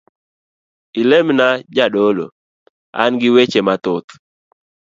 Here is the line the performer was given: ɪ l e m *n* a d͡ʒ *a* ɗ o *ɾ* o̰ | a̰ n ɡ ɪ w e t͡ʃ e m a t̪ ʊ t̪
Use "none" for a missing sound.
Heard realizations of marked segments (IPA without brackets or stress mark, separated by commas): n, a, l